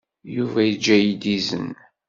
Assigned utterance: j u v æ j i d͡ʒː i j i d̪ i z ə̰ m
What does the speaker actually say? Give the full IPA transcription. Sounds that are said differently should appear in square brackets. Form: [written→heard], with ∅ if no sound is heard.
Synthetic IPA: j u v æ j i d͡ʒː [i→æ] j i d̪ i z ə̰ [m→n]

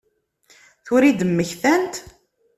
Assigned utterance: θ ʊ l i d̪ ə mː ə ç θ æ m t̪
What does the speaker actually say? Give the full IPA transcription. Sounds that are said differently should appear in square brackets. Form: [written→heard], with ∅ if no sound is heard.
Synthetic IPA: θ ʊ [l→ɾ] i d̪ ə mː ə ç θ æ [m→n] t̪

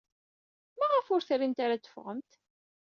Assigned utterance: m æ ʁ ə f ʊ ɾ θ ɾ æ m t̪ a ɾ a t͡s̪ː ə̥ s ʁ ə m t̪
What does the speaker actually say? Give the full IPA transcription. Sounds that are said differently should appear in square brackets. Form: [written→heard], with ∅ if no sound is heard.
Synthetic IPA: m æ ʁ ə f ʊ ɾ θ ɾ [æ→i] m t̪ a ɾ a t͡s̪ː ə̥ [s→f] ʁ ə m t̪

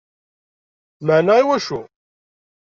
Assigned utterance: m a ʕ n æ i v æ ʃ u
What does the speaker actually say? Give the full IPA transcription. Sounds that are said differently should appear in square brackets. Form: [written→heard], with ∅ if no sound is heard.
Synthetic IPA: m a ʕ n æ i [v→w] æ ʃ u

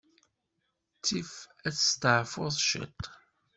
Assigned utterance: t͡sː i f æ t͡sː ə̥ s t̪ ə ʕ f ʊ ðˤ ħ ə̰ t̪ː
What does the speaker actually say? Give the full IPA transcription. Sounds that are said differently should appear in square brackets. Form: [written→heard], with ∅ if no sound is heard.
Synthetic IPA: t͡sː i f æ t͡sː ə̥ s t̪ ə ʕ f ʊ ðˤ [ħ→ʃ] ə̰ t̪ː

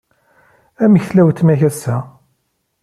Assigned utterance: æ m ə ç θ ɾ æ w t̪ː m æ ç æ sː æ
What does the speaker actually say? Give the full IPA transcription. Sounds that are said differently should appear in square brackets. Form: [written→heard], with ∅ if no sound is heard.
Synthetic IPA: æ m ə ç θ [ɾ→l] æ w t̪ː m æ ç æ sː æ

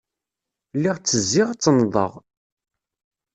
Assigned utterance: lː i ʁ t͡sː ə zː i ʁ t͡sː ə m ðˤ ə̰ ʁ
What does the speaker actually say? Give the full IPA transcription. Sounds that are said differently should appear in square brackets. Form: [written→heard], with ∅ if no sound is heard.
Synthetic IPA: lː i ʁ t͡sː ə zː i ʁ t͡sː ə [m→n] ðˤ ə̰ ʁ

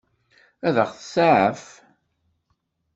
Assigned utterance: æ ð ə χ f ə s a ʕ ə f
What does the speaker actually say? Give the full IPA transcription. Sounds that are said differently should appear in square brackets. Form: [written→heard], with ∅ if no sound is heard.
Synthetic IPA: æ ð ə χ [f→θ] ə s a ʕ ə f

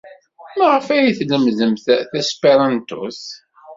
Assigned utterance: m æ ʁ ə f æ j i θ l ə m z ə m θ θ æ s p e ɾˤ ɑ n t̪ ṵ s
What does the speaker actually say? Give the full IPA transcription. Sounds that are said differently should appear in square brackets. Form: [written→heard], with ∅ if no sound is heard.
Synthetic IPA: m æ ʁ ə f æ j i θ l ə m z ə m θ θ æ s p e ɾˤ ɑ n t̪ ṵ s

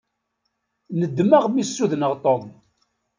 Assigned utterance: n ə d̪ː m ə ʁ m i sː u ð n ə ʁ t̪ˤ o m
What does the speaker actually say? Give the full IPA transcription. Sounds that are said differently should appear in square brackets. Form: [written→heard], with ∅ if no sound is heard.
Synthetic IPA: n ə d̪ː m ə ʁ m i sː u ð n ə ʁ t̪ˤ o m

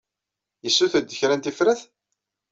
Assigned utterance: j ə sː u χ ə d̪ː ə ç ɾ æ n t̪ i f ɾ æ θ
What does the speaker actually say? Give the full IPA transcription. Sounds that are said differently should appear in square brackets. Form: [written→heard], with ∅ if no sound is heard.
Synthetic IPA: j ə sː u [χ→θ] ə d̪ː ə ç ɾ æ n t̪ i f ɾ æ θ

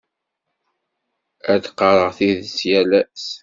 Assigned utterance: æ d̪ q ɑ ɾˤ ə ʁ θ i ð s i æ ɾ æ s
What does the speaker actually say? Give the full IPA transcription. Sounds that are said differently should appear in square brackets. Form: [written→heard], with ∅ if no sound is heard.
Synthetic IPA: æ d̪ q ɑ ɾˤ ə ʁ θ i ð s [i→j] æ [ɾ→l] æ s

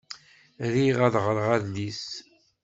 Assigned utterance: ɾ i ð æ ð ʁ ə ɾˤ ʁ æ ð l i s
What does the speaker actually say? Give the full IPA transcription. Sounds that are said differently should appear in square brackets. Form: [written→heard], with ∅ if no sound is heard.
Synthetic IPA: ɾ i [ð→ʁ] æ ð ʁ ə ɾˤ ʁ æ ð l i s

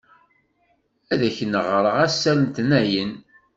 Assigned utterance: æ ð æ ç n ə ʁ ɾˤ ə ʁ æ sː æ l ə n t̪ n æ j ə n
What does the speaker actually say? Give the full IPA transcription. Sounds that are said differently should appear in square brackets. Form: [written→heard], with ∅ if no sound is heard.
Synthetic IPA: æ ð æ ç n ə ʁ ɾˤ ə ʁ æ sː æ l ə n t̪ n æ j ə n

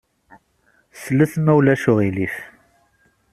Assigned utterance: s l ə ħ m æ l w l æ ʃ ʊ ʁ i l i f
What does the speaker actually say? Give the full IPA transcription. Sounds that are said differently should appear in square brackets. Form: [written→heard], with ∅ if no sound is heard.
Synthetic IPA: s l ə [ħ→θ] m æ [l→∅] w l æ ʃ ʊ ʁ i l i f

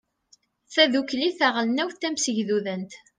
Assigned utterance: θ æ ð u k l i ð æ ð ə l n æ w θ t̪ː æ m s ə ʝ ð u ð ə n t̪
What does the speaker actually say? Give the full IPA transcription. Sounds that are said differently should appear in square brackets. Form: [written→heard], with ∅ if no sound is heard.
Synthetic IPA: θ æ ð u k l i [ð→θ] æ [ð→ʁ] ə l n æ w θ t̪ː æ m s ə ʝ ð u ð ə n t̪

